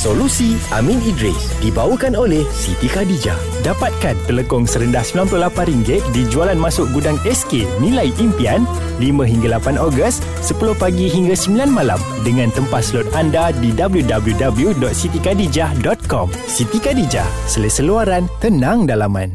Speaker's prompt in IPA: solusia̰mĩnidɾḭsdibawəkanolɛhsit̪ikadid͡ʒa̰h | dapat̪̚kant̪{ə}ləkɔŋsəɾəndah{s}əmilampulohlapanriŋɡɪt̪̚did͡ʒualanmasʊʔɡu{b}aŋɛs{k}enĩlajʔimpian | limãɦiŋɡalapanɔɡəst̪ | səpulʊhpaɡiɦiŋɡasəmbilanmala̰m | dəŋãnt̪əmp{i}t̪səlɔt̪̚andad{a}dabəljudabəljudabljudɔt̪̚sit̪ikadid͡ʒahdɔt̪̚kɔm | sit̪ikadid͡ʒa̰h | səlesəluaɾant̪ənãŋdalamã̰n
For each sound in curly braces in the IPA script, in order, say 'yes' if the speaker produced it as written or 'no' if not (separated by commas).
yes, yes, no, yes, no, no